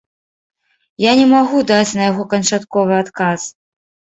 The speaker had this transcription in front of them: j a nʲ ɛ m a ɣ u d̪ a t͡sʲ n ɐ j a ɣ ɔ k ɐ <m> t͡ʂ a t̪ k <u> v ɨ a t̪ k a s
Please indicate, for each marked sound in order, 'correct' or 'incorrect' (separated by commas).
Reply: incorrect, incorrect